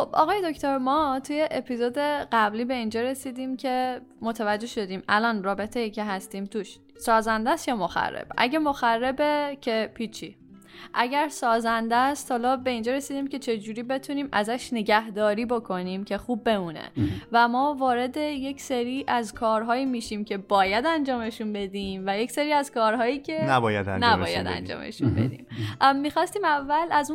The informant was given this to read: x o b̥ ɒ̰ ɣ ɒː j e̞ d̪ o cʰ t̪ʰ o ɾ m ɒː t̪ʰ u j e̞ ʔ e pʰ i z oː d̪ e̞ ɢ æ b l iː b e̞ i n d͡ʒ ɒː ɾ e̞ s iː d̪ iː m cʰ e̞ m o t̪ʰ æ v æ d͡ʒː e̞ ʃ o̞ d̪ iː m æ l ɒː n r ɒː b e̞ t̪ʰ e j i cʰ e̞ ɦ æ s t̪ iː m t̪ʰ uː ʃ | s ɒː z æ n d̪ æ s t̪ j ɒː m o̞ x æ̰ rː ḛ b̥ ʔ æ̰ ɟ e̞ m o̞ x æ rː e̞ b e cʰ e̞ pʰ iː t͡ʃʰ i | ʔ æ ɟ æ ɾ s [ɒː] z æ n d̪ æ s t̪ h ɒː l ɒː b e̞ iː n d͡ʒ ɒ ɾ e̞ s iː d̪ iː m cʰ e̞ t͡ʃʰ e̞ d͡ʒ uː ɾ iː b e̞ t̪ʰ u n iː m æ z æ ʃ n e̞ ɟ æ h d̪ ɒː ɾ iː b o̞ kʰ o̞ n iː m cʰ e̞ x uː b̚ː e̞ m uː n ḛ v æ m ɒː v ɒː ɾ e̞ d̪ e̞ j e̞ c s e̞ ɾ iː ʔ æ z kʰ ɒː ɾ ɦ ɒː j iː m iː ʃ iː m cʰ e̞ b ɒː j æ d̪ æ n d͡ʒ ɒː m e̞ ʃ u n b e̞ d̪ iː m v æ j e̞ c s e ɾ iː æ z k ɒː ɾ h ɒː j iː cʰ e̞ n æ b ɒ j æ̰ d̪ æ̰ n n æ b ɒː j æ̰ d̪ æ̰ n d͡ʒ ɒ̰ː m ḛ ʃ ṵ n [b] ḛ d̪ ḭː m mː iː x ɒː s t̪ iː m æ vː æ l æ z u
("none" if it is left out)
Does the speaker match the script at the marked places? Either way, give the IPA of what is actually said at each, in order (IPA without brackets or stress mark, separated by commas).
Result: ɒː, b